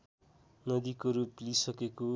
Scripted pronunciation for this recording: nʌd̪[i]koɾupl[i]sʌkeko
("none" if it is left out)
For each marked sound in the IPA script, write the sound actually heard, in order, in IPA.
i, i

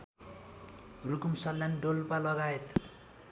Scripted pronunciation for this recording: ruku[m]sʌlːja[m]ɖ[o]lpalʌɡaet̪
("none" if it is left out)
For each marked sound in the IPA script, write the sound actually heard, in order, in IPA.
m, n, o

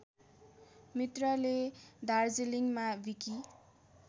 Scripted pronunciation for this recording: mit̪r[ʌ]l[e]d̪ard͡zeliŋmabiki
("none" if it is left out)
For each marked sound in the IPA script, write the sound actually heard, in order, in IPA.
ʌ, e

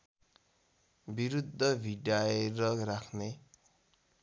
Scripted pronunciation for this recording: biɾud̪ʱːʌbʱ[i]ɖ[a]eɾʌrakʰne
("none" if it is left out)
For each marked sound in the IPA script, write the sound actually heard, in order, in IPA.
i, a

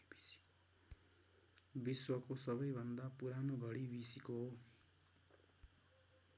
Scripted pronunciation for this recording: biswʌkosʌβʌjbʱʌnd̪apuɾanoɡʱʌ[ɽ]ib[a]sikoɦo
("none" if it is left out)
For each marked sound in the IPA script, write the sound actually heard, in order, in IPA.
ɽ, i

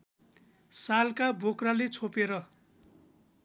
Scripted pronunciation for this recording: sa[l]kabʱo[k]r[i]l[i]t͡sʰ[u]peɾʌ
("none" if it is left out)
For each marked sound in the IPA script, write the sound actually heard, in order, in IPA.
l, k, a, e, o

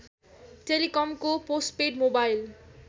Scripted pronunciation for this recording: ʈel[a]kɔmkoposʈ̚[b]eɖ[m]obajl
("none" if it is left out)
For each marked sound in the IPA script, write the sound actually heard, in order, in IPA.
i, p, m

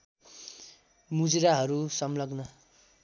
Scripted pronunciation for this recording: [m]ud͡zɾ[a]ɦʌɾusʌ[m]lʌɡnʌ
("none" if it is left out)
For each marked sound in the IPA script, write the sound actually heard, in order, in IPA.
m, a, m

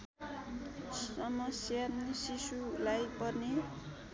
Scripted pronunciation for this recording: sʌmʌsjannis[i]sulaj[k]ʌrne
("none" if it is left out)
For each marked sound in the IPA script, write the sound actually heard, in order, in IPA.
i, p

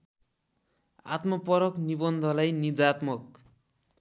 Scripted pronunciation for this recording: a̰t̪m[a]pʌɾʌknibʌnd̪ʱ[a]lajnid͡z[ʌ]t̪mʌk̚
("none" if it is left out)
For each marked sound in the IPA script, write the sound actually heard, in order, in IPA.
ʌ, ʌ, a

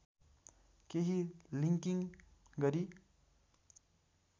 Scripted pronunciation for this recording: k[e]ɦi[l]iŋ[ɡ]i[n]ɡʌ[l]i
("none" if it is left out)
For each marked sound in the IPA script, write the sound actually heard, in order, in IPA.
e, l, k, ŋ, ɾ

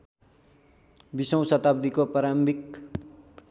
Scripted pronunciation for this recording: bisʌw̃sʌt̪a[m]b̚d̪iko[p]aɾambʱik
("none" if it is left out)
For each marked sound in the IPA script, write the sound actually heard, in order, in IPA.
none, p

